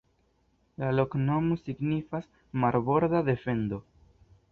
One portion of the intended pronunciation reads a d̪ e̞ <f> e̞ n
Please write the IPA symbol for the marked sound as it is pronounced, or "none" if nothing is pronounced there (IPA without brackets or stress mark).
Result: f